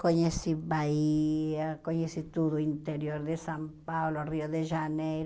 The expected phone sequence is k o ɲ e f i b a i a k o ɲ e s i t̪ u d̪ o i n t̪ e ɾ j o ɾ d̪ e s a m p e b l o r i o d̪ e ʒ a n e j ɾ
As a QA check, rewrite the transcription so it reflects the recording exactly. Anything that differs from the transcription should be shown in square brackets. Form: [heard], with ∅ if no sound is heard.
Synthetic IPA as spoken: k o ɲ e [s] i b a i a k o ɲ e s i t̪ u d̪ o i n t̪ e ɾ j o ɾ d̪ e s a m p [a] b l o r i o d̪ e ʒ a n e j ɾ